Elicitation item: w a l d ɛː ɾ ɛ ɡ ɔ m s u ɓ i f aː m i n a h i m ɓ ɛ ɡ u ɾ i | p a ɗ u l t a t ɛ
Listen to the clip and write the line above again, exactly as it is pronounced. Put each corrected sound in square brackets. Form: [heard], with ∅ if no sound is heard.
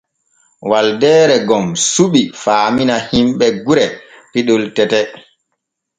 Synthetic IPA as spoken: w a l d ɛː ɾ ɛ ɡ ɔ m s u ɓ i f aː m i n a h i m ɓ ɛ ɡ u ɾ [ɛ] | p [i] ɗ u l t [ɛ] t ɛ